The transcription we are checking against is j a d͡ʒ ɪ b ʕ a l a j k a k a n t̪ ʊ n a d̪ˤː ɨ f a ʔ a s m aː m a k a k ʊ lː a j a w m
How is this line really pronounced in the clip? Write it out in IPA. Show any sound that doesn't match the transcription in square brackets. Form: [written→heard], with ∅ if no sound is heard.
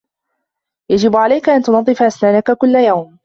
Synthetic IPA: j a d͡ʒ ɪ b ʕ a l a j k a [k→ʔ] a n t̪ ʊ n [a→ɑ] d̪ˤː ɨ f a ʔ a s [m→n] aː [m→n] a k a k ʊ lː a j a w m